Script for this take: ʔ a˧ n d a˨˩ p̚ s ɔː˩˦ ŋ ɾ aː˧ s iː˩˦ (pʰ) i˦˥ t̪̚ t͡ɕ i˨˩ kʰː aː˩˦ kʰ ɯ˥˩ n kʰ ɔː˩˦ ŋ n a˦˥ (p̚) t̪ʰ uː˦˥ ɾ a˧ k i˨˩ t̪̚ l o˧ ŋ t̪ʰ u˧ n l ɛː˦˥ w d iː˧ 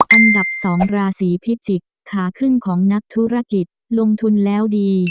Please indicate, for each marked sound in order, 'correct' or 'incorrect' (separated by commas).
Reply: correct, incorrect